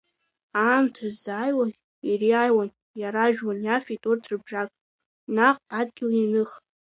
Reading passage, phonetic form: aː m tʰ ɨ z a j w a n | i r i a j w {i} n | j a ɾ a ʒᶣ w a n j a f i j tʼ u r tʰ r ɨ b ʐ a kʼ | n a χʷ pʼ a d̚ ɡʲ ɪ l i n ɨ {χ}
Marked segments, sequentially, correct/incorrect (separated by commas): incorrect, correct